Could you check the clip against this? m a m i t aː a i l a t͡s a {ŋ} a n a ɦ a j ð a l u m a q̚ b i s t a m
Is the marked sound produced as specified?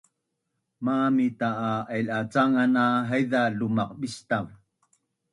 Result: yes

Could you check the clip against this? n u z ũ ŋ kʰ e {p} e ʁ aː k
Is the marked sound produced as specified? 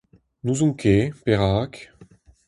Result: yes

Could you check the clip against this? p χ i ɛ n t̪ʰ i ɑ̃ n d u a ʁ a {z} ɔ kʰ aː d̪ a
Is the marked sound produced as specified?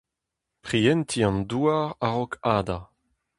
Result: no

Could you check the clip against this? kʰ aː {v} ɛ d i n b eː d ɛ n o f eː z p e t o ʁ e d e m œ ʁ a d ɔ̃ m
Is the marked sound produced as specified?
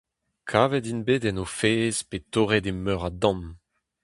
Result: yes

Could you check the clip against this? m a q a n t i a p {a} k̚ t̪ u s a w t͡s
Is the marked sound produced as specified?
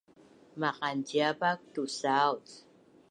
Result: yes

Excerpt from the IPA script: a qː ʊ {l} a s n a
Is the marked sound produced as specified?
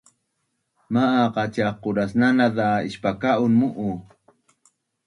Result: no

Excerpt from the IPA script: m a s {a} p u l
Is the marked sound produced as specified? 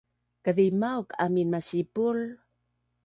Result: no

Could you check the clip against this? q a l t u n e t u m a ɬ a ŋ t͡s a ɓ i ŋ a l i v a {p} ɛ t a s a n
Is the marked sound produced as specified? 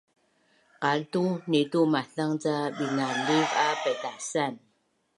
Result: yes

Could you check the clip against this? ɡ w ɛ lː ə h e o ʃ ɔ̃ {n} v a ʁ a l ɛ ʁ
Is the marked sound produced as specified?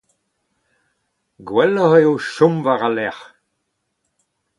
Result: no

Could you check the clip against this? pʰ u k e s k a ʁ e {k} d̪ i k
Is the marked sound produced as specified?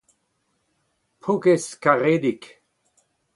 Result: no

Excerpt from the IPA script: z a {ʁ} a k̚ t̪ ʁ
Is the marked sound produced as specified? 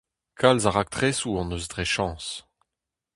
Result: yes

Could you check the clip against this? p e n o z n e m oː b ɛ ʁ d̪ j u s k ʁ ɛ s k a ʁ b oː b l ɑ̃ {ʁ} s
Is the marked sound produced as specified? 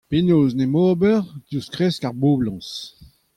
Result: no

